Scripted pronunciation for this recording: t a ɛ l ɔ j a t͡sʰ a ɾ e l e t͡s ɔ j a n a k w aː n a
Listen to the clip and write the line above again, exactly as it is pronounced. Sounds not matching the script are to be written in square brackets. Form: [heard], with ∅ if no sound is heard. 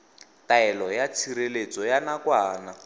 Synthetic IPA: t a ɛ l ɔ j a t͡sʰ [i] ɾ e l e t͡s ɔ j a n a k w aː n a